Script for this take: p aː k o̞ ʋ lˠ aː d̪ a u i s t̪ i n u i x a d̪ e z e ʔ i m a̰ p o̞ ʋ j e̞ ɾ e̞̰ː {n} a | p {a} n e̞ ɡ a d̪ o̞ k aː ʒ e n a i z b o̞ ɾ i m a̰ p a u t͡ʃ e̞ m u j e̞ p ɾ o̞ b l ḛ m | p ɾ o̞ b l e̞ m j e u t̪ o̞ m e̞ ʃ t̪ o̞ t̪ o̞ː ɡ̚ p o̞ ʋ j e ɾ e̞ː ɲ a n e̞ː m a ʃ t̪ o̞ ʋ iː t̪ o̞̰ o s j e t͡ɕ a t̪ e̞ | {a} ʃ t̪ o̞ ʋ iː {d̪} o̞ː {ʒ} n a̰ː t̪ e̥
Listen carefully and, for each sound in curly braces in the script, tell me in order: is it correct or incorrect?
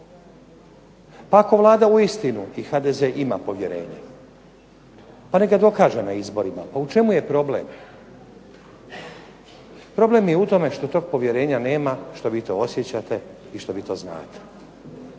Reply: incorrect: ɲ, correct, incorrect: i, incorrect: t̪, incorrect: z

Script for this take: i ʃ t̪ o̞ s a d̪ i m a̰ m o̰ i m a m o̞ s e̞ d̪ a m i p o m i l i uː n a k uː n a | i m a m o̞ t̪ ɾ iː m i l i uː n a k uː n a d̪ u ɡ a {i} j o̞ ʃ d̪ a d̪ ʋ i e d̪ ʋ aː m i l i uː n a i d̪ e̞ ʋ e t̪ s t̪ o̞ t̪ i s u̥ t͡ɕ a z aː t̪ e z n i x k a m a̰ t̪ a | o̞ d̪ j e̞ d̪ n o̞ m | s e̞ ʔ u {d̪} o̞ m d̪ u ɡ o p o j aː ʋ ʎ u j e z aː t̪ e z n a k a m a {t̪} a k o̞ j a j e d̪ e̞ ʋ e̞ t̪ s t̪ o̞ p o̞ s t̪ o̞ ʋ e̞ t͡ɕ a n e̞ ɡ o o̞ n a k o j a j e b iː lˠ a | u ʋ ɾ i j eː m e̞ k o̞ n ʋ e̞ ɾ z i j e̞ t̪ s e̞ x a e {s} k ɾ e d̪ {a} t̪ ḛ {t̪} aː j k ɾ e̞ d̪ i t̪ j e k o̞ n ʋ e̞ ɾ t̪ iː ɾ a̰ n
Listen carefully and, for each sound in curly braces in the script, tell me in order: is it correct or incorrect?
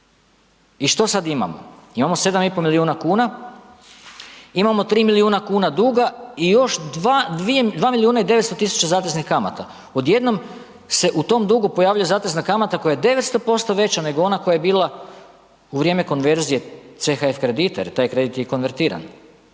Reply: correct, incorrect: t̪, correct, incorrect: f, incorrect: i, correct

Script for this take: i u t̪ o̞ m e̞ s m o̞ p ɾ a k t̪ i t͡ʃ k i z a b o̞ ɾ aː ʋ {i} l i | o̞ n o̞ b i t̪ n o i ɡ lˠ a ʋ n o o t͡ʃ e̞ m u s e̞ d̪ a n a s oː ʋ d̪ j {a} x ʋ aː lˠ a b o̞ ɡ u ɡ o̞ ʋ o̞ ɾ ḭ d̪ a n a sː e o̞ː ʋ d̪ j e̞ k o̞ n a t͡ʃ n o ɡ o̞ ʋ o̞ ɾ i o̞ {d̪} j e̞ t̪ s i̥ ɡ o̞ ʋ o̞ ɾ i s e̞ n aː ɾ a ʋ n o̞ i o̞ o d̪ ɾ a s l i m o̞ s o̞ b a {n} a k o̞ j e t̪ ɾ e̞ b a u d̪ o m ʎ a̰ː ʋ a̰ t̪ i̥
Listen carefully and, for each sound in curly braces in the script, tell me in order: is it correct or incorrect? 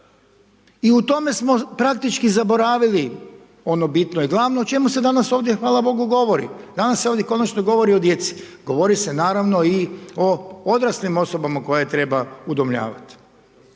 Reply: correct, incorrect: e, correct, incorrect: m

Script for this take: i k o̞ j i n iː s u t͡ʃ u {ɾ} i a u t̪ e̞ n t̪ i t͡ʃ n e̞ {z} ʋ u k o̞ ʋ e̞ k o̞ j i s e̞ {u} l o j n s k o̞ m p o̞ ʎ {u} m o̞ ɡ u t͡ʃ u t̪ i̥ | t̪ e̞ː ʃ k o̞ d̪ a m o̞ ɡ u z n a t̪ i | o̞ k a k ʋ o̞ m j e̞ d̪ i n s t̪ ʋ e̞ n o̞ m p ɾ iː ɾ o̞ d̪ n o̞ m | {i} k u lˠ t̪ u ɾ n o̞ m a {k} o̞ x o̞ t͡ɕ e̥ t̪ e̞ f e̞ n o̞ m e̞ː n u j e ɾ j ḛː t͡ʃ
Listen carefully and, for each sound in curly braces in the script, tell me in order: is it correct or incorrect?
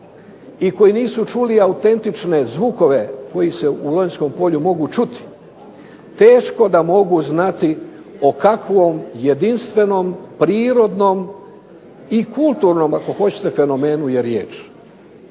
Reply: incorrect: l, correct, correct, correct, correct, correct

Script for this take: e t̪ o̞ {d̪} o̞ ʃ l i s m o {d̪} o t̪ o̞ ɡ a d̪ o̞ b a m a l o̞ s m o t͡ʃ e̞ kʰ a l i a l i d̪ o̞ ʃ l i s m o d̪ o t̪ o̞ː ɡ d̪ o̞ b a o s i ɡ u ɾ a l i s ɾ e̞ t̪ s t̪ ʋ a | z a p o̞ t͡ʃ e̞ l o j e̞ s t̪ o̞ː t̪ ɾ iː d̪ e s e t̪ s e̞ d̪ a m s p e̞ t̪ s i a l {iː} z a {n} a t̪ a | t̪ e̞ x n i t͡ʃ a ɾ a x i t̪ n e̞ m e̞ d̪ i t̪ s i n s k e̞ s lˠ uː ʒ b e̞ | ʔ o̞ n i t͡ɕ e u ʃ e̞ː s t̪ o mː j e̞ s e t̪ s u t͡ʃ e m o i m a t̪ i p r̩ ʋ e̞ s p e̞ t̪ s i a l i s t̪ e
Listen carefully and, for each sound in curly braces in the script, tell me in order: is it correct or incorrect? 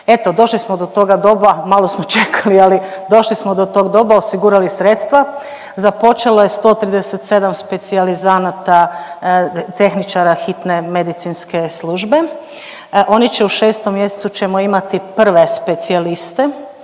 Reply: correct, correct, incorrect: i, correct

